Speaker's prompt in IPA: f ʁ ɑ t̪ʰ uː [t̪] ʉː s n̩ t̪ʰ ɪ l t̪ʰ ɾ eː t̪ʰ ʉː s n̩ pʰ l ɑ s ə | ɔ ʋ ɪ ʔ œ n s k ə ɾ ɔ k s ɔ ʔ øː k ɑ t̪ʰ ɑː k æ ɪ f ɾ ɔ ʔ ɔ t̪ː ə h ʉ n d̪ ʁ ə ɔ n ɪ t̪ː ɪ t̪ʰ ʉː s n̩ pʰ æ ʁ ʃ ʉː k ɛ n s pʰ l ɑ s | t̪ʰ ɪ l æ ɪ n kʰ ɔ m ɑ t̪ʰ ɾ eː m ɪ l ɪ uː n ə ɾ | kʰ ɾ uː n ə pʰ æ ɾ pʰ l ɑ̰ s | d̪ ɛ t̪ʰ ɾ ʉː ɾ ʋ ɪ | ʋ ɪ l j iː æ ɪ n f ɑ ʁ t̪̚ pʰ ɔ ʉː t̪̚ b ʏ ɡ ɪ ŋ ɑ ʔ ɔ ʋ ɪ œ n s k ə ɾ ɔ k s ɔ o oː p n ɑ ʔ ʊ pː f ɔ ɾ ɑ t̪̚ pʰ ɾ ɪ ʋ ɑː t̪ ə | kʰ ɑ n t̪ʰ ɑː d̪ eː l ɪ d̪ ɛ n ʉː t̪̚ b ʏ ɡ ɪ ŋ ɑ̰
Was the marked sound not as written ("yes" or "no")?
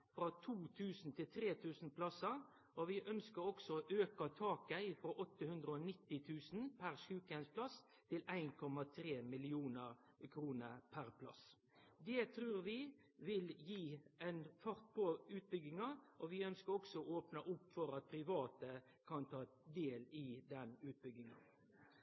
yes